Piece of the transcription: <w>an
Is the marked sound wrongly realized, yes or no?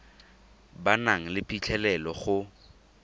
yes